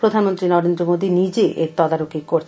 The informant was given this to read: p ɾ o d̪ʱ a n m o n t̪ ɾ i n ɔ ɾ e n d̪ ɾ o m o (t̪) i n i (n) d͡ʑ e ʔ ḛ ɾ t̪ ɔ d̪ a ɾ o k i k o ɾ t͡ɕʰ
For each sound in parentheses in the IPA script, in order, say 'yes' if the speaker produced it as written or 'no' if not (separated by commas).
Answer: no, no